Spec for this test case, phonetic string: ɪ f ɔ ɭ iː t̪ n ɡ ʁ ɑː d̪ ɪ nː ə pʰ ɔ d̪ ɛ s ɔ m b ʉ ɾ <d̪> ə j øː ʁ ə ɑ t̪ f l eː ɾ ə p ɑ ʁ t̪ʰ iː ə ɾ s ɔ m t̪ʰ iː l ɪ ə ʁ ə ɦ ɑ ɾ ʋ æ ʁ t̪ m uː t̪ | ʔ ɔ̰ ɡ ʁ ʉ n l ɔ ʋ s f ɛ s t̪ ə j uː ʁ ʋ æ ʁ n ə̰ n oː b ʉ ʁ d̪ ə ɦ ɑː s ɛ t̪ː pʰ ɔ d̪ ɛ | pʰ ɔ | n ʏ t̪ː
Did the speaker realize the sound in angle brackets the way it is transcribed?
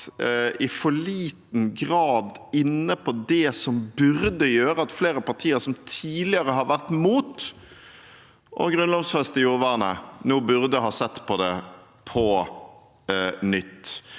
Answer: yes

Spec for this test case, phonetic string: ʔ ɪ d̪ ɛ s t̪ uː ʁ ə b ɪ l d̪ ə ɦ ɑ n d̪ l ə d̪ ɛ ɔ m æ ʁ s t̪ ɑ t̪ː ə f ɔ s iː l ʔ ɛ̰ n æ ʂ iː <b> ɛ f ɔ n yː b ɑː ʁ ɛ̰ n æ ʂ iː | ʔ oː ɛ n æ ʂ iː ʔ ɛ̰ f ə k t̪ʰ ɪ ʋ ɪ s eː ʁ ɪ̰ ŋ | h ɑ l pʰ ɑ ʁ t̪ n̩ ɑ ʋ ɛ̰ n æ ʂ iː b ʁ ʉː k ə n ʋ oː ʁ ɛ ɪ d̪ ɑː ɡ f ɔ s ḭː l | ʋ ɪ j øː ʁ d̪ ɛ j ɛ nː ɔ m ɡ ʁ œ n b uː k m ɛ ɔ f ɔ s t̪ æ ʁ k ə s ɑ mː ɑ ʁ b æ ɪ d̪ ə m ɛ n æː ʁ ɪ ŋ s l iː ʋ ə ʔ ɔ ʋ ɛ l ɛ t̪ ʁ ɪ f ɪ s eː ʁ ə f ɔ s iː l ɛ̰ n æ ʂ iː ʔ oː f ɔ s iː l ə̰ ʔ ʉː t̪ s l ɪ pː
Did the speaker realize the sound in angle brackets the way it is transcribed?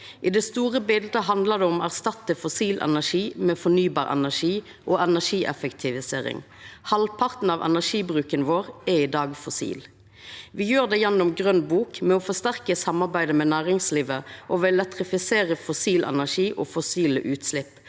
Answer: no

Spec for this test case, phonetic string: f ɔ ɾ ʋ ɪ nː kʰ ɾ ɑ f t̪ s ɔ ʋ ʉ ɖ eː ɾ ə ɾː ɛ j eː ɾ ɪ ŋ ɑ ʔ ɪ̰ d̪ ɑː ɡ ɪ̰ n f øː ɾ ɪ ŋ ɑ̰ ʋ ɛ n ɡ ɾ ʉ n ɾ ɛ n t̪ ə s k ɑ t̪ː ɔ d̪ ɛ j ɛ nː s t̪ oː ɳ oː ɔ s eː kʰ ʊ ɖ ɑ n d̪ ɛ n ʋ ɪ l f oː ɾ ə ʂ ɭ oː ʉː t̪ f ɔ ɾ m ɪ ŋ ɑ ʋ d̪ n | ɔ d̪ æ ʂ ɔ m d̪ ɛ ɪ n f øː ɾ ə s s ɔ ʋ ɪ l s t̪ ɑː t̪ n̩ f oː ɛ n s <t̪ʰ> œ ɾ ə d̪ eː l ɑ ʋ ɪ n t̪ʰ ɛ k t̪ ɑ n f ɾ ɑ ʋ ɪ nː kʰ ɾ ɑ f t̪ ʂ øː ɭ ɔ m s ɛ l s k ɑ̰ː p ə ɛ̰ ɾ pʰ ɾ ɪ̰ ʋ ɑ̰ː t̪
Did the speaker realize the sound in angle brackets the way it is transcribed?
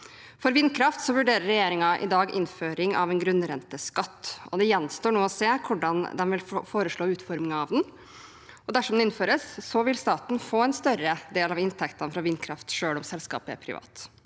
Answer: no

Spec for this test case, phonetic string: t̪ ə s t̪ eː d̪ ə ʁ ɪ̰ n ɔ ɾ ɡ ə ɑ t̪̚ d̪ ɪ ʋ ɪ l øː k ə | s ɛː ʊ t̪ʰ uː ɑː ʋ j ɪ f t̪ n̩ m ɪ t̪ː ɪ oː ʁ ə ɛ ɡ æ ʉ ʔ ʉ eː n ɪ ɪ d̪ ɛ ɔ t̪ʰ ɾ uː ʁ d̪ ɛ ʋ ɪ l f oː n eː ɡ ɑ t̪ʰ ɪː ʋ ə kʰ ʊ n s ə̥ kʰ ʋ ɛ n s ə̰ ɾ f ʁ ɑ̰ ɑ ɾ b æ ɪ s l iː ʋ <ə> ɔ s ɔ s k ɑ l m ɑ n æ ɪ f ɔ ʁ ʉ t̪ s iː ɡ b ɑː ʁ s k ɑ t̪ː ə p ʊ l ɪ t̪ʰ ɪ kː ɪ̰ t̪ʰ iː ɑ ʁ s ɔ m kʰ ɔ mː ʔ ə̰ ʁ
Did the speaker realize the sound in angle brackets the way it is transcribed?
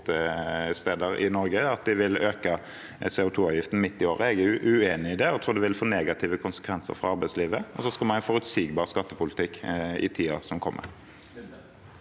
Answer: yes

